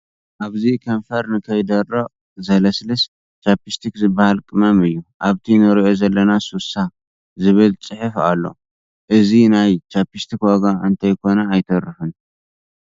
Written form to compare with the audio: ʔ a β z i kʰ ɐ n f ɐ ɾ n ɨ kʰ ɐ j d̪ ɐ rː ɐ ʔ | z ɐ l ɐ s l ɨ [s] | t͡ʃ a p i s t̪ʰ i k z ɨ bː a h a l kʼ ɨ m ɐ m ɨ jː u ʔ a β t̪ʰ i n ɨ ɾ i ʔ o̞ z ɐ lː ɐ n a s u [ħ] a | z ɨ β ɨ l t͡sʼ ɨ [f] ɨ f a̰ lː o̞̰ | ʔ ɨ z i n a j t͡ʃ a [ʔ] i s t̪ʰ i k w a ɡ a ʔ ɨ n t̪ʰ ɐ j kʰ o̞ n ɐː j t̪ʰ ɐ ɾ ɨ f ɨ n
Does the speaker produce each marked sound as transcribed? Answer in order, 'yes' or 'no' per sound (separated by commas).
yes, no, no, no